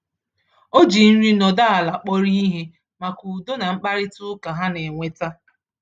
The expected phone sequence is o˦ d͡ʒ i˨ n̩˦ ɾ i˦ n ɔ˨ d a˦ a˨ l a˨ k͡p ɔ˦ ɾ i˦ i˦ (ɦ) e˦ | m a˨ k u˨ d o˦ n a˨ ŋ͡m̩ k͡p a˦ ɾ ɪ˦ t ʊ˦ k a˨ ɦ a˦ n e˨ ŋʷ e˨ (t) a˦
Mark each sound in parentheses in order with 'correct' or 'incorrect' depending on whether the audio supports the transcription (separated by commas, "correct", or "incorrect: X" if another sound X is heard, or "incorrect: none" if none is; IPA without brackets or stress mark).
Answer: correct, correct